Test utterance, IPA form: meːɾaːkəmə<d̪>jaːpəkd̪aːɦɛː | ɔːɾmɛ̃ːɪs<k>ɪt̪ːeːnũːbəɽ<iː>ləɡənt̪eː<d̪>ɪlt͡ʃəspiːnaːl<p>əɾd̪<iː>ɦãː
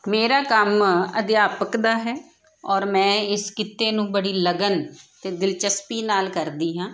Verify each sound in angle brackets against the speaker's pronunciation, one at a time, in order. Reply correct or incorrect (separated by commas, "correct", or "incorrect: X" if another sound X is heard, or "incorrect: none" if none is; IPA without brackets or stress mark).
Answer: correct, correct, correct, correct, incorrect: k, correct